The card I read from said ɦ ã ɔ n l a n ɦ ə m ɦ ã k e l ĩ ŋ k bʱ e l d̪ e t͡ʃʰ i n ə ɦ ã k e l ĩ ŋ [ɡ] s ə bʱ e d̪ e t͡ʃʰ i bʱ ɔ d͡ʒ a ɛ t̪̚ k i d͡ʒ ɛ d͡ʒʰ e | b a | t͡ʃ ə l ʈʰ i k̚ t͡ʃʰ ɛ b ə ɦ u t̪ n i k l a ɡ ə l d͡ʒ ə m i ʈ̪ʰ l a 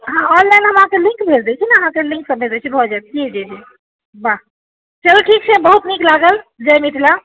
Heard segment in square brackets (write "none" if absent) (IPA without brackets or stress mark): k